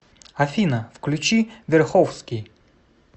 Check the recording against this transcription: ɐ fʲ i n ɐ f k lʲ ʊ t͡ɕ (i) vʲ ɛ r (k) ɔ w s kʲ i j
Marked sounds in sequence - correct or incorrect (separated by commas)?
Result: correct, incorrect